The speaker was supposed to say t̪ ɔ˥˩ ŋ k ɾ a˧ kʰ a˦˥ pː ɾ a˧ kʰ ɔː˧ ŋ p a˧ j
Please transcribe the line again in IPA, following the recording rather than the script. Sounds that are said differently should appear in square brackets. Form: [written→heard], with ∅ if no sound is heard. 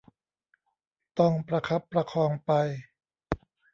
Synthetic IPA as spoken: t̪ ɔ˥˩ ŋ [k→p] ɾ a˧ kʰ a˦˥ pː ɾ a˧ kʰ ɔː˧ ŋ p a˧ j

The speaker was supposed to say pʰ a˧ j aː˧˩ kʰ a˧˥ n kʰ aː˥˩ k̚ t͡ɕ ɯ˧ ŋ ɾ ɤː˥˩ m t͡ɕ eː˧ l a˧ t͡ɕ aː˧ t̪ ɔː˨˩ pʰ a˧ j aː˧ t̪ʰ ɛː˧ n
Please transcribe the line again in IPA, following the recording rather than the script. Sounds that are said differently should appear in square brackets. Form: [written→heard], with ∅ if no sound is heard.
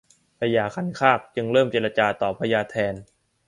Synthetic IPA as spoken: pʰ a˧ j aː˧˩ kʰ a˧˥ n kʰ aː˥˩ k̚ t͡ɕ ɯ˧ ŋ ɾ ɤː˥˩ m t͡ɕ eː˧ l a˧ t͡ɕ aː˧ t̪ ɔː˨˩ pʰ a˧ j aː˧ t̪ʰ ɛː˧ n

